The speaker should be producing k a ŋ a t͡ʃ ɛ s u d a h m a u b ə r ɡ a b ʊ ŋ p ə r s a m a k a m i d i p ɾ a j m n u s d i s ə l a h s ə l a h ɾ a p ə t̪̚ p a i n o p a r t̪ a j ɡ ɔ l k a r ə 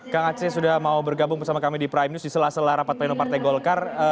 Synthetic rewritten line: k a ŋ a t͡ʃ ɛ s u d a h m a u b ə r ɡ a b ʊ ŋ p ə r s a m a k a m i d i p ɾ a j m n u s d i s ə l a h s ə l a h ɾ a p a t̪̚ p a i n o p a r t̪ a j ɡ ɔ l k a r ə